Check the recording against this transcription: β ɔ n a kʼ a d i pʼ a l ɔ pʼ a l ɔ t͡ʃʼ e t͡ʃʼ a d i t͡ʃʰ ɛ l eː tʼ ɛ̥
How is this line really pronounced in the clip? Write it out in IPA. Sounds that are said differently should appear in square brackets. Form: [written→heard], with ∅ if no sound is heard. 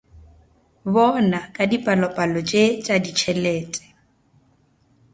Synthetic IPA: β ɔ n a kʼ a d i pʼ a l ɔ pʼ a l ɔ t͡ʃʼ e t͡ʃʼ a d i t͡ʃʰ ɛ l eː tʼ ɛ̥